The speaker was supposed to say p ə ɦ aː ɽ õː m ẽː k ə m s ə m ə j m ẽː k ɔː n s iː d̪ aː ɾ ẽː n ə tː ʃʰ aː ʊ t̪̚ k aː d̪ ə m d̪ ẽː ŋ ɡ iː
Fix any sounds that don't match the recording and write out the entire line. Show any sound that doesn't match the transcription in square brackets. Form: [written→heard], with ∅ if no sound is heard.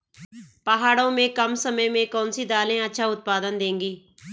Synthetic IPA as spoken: p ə ɦ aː ɽ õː m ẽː k ə m s ə m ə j m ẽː k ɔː n s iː d̪ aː [ɾ→l] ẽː [n→∅] ə tː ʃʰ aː ʊ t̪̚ [k→p] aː d̪ ə [m→n] d̪ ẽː ŋ ɡ iː

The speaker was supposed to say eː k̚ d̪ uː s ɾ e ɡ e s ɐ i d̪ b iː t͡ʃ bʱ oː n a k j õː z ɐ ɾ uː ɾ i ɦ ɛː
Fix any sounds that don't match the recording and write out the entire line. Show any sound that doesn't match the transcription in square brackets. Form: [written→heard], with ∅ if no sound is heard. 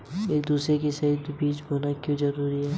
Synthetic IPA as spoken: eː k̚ d̪ uː s ɾ e [ɡ→k] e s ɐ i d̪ b iː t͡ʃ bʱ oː n a k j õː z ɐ ɾ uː ɾ i ɦ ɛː

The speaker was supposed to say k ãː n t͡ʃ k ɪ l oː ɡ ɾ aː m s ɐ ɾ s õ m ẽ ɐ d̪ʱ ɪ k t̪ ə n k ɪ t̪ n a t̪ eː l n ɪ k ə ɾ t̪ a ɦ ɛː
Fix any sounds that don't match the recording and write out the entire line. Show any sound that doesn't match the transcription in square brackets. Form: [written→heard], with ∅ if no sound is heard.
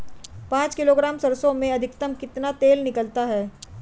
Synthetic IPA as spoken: [k→p] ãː [n→∅] t͡ʃ k ɪ l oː ɡ ɾ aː m s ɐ ɾ s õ m ẽ ɐ d̪ʱ ɪ k t̪ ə [n→m] k ɪ t̪ n a t̪ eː l n ɪ k ə [ɾ→l] t̪ a ɦ ɛː

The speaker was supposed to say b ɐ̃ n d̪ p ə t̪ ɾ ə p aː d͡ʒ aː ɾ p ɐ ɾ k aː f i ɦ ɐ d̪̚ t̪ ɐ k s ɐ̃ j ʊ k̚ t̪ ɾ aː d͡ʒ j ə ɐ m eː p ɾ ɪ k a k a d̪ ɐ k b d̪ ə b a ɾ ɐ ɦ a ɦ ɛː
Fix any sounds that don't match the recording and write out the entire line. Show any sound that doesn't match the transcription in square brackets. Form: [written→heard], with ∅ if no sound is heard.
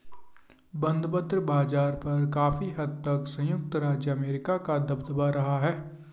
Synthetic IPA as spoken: b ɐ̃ n d̪ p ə t̪ ɾ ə [p→b] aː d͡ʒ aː ɾ p ɐ ɾ k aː f i ɦ ɐ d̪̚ t̪ ɐ k s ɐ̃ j ʊ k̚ t̪ ɾ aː d͡ʒ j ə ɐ m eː [p→∅] ɾ ɪ k a k a d̪ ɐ [k→∅] b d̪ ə b a ɾ ɐ ɦ a ɦ ɛː

